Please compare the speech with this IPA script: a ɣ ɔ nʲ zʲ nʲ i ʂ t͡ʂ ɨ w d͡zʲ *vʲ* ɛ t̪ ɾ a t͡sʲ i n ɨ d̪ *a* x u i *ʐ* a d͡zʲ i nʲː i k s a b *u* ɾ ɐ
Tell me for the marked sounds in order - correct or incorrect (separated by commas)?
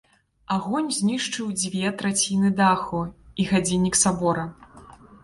correct, correct, incorrect, incorrect